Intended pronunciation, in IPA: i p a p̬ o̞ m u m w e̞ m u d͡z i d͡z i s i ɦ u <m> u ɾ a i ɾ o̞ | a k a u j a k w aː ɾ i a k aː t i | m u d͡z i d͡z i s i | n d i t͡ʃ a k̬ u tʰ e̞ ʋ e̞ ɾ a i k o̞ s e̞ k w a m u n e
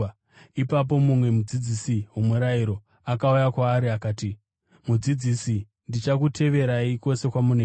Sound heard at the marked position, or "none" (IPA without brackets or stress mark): m